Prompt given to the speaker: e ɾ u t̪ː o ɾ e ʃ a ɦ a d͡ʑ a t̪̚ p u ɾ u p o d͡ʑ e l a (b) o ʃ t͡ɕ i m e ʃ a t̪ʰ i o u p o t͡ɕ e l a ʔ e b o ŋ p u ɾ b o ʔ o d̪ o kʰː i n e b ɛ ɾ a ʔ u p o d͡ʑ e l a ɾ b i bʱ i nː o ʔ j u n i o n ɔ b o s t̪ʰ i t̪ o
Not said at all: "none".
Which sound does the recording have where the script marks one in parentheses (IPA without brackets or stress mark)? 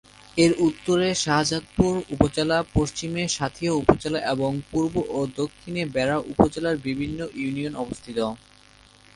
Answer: p